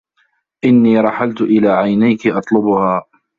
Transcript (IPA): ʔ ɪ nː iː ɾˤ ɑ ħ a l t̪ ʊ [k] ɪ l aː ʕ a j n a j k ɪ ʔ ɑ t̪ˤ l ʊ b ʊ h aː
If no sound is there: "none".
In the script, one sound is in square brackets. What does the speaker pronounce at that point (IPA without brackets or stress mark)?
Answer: ʔ